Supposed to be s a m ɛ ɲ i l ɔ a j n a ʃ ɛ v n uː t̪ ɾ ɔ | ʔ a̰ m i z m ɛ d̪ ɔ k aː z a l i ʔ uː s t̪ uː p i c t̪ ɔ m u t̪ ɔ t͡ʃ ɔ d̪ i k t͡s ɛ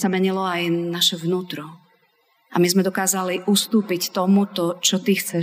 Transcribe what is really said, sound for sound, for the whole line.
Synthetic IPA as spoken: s a m ɛ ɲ i l ɔ a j n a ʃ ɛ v n uː t̪ ɾ ɔ | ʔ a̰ m i z m ɛ d̪ ɔ k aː z a l i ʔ u s t̪ uː p i c t̪ ɔ m u t̪ ɔ t͡ʃ ɔ t̪ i x t͡s ɛ